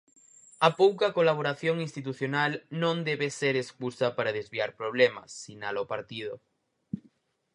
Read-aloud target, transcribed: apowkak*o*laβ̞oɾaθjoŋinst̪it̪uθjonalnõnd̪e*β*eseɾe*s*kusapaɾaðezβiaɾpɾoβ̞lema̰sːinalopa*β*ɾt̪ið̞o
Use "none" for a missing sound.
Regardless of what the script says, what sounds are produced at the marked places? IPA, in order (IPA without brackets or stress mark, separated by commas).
o, β, s, none